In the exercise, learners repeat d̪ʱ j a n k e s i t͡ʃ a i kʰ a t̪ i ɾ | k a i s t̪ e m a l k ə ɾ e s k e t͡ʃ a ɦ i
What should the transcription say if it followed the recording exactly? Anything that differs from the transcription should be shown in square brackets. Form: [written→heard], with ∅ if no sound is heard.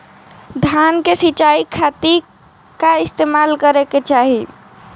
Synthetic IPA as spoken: d̪ʱ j a n k e s i t͡ʃ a i kʰ a t̪ i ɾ | k a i s t̪ e m a l k ə ɾ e [s→∅] k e t͡ʃ a ɦ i